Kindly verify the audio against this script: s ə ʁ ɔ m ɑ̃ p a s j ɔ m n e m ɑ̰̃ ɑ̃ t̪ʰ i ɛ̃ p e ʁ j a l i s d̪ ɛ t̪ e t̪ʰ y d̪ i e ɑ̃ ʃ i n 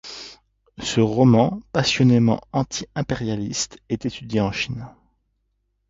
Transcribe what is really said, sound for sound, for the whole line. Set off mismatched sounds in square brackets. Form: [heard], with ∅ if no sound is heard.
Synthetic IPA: s ə ʁ ɔ m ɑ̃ p a s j ɔ [∅] n e m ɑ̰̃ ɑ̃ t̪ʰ i ɛ̃ p e ʁ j a l i s [t̪] ɛ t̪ e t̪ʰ y d̪ [j] e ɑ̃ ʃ i n